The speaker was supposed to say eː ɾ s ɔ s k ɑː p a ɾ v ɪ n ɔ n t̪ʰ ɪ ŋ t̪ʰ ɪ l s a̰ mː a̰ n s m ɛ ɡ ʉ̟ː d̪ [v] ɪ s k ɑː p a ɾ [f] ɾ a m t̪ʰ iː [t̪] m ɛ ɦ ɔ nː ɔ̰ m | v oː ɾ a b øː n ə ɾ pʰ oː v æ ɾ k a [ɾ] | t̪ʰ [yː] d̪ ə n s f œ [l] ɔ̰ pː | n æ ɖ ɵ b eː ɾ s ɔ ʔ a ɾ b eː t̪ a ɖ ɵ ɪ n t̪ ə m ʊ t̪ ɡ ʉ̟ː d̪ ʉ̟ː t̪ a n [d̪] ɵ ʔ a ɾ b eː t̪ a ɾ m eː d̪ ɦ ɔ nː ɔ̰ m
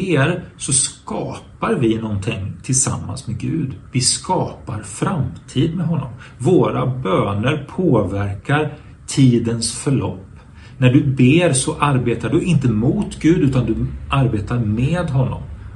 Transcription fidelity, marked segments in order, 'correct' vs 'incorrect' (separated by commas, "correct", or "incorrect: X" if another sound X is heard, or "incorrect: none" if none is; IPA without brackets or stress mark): correct, correct, incorrect: d̪, correct, incorrect: iː, incorrect: ɭ, correct